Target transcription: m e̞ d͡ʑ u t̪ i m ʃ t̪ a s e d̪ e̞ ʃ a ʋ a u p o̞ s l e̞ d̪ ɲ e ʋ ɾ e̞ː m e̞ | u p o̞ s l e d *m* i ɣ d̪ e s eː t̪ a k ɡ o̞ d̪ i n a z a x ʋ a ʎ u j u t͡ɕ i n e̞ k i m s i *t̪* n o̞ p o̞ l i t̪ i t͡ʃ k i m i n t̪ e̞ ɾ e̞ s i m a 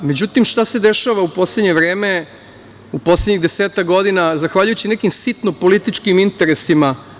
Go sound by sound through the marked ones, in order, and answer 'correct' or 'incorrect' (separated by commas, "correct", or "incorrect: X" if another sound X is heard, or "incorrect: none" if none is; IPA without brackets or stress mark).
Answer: incorrect: ɲ, correct